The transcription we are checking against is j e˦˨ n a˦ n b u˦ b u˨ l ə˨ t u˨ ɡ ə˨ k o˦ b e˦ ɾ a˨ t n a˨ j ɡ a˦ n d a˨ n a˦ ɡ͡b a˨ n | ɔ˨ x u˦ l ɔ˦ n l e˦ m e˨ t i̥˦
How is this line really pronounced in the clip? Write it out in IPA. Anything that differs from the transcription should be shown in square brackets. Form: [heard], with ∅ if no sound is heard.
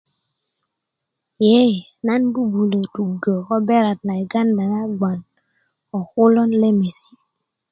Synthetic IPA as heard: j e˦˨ n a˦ n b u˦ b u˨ l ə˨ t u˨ ɡ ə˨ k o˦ b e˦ ɾ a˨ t n a˨ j ɡ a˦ n d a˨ n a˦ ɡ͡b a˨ n | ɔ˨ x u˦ l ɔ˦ n l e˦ m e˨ [s] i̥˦